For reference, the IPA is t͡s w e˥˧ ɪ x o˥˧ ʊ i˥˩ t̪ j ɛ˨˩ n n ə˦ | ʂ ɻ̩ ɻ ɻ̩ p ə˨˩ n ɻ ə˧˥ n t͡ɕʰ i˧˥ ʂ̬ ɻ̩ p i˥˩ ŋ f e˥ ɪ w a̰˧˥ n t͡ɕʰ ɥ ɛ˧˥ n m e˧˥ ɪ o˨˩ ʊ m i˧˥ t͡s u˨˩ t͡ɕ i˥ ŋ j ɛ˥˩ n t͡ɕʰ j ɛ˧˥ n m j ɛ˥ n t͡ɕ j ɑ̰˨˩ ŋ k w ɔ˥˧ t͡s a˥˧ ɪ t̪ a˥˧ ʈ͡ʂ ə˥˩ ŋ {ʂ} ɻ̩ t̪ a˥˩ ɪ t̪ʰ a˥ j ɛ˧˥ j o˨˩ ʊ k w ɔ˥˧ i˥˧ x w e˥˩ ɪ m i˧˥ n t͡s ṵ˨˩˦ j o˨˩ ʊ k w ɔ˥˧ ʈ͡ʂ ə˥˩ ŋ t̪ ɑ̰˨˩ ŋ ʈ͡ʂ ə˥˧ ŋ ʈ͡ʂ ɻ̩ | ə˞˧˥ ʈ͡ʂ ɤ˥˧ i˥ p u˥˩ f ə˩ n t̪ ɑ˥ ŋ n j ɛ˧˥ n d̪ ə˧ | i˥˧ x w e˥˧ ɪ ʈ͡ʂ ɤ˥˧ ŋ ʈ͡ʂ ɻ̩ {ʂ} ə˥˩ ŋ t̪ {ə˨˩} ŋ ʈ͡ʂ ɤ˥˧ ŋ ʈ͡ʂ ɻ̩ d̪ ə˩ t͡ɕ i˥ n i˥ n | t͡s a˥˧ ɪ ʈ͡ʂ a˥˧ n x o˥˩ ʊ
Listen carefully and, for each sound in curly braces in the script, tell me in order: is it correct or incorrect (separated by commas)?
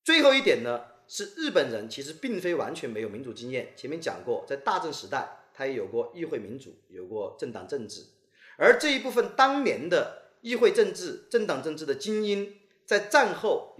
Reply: correct, incorrect, incorrect